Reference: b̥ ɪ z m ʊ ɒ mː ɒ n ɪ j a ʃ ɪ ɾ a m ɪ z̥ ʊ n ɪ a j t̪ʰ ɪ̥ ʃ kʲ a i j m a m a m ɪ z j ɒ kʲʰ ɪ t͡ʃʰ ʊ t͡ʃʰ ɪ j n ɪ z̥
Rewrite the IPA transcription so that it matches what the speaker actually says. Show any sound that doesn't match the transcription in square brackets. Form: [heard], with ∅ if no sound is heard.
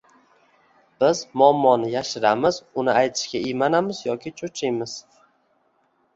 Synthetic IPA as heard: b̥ ɪ z m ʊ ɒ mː ɒ n ɪ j a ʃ ɪ ɾ a m ɪ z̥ ʊ n ɪ a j t̪ʰ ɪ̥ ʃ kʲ a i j m a [n] a m ɪ z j ɒ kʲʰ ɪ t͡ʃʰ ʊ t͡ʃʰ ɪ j [m] ɪ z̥